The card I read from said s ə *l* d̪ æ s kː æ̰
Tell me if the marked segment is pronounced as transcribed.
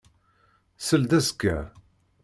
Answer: yes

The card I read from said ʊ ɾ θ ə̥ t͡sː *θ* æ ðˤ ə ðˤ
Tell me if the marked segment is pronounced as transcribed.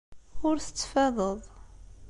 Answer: no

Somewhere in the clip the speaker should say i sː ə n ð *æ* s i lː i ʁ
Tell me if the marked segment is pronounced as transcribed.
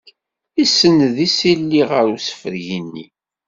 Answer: no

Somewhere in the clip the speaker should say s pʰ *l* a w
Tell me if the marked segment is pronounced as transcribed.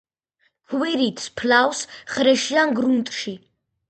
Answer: yes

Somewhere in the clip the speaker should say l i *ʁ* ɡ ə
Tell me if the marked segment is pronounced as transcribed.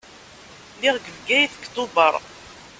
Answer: yes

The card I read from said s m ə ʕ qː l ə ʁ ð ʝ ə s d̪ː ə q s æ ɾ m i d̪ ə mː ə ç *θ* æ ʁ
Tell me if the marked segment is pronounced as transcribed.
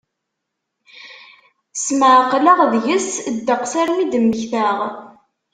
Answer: yes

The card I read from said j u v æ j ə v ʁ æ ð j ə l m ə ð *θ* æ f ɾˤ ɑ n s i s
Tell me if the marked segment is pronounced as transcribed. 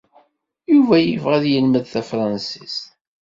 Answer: yes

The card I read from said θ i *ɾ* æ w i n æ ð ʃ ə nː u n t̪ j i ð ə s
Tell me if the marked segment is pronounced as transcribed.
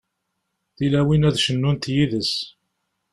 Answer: no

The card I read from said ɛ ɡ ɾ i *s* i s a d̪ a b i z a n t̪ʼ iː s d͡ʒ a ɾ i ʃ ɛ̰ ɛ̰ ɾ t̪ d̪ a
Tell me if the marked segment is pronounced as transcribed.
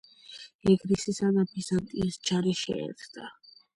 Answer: yes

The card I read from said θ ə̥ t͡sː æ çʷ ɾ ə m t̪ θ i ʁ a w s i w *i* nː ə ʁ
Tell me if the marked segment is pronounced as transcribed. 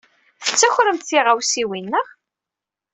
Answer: yes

